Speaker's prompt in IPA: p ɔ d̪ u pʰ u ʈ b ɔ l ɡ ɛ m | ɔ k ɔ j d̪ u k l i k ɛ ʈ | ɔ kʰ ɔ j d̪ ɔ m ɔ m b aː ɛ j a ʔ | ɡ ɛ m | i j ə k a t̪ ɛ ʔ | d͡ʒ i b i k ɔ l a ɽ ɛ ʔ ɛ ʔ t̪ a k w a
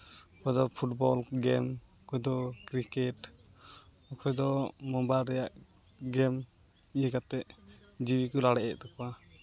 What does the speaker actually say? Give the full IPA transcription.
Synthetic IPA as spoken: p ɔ d̪ ɔ pʰ u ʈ b ɔ l ɡ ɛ m | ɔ k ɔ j d̪ ɔ k ɾ i k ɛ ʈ | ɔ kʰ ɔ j d̪ ɔ m ɔ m b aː ɛ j a ʔ | ɡ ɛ m | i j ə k a t̪ ɛ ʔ | d͡ʒ i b i k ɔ l a ɽ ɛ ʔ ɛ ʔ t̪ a k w a